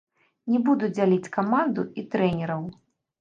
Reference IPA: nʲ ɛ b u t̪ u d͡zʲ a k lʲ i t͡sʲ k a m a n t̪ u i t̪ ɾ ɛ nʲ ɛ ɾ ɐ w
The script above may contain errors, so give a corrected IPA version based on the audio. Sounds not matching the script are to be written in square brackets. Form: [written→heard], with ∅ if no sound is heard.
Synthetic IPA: nʲ ɛ b u [t̪→d̪] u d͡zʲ a [k→∅] lʲ i t͡sʲ k a m a n [t̪→d̪] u i t̪ ɾ ɛ nʲ ɛ ɾ ɐ w